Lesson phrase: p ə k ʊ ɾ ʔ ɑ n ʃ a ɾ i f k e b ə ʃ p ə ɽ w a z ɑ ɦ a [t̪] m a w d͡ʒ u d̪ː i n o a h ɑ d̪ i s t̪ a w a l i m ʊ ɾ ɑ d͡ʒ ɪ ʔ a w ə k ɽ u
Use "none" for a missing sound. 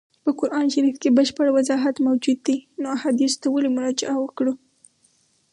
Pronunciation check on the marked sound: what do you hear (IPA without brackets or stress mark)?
t̪